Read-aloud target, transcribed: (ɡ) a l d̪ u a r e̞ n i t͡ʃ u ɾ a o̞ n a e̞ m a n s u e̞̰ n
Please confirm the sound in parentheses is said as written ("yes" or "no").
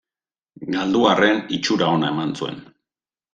yes